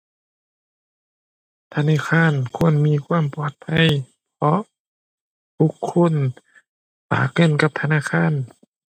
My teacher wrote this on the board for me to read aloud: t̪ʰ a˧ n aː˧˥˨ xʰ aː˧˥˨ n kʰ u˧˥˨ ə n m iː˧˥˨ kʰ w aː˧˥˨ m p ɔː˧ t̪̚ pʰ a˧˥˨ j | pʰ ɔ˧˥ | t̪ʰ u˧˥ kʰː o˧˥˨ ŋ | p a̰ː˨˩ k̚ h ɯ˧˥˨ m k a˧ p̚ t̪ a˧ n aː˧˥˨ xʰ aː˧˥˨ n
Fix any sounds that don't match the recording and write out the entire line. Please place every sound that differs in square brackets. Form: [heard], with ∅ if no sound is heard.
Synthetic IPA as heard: t̪ʰ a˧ n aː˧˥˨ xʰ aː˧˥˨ n kʰ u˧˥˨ ə n m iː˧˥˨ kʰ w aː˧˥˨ m p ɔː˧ t̪̚ pʰ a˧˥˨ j | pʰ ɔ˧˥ | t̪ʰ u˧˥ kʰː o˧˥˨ [n] | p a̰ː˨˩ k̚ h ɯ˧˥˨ [n] k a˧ p̚ [t̪ʰ] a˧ n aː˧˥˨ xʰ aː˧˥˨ n